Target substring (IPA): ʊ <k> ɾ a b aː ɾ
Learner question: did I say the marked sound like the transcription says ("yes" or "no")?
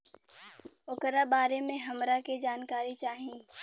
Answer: yes